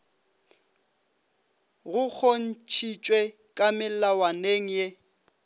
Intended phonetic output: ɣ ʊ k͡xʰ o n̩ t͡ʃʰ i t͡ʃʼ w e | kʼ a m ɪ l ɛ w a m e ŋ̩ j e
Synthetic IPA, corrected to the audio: ɣ ʊ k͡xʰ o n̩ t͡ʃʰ i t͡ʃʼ w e | kʼ a m ɪ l a w a n e ŋ̩ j e